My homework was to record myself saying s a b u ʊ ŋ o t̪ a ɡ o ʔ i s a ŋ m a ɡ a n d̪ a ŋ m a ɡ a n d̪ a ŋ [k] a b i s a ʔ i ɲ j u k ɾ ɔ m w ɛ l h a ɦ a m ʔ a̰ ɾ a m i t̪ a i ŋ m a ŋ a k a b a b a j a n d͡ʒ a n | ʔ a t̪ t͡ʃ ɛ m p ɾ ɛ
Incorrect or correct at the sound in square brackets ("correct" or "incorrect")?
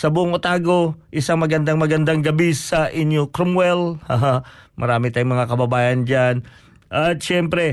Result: incorrect